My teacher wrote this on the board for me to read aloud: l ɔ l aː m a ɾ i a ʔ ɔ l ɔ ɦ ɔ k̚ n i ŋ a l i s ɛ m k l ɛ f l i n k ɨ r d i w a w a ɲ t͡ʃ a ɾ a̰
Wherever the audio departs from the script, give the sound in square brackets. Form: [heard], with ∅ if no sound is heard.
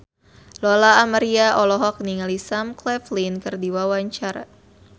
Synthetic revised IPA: l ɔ l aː m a ɾ i a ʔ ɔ l ɔ ɦ ɔ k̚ n i ŋ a l i s [a] m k l ɛ f l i n k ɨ r d i w a w a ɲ t͡ʃ a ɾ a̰